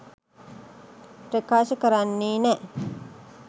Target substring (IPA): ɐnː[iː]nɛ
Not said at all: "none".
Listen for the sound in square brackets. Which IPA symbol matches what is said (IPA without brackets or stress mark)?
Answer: iː